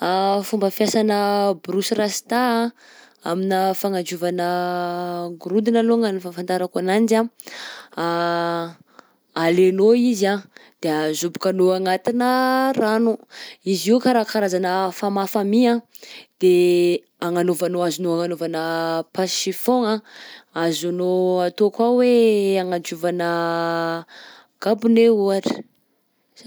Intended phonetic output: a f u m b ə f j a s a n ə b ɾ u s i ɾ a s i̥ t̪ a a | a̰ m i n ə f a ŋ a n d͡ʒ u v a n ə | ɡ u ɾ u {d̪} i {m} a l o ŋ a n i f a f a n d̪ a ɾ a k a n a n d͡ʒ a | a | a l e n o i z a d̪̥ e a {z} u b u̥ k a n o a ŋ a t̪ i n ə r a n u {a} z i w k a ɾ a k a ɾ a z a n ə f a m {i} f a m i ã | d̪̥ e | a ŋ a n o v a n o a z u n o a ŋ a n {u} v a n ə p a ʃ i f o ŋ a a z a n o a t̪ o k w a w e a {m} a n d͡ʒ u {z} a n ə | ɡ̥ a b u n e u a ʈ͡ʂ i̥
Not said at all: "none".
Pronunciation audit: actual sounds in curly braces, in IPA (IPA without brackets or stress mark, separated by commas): d̪, n, z, i, a, o, ŋ, v